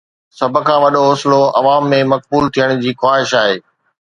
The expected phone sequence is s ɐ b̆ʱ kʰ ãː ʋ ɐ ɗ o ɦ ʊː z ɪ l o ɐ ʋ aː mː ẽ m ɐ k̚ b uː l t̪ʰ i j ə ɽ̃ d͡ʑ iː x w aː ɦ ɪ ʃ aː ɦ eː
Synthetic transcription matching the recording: s ɐ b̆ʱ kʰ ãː ʋ ɐ ɗ o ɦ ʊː s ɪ l o ɐ ʋ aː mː ẽ m ɐ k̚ b uː l t̪ʰ i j ə ɽ̃ d͡ʑ iː x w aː ɦ ɪ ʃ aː ɦ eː